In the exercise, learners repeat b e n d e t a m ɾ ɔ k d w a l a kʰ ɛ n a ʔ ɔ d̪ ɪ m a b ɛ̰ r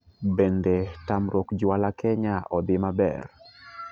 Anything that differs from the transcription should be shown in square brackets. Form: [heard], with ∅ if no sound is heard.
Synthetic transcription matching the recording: b e n d e t a m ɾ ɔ k [d͡ʒ] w a l a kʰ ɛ [ɲ] a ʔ ɔ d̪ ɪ m a b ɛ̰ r